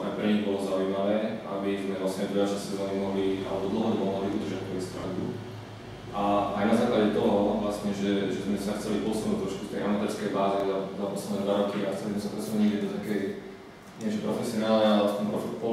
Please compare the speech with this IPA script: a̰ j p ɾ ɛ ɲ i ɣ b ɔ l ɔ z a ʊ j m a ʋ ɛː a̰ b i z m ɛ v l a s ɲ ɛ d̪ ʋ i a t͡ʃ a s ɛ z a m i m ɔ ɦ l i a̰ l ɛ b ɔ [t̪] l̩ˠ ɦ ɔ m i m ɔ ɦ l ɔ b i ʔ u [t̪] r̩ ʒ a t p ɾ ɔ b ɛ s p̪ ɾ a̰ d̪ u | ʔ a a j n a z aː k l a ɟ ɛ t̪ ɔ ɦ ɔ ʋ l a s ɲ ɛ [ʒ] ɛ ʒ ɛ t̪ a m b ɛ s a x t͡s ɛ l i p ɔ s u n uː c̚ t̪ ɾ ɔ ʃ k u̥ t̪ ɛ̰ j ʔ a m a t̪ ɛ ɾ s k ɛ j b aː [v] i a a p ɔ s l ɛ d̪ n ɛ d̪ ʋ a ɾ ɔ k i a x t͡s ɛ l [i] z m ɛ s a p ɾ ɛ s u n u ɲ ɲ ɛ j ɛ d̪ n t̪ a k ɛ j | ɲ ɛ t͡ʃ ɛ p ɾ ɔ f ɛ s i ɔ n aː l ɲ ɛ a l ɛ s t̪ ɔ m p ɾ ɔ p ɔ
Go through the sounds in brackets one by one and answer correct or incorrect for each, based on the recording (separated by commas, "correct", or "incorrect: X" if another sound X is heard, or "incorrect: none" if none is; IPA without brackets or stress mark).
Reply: incorrect: d̪, incorrect: d̪, correct, incorrect: z, correct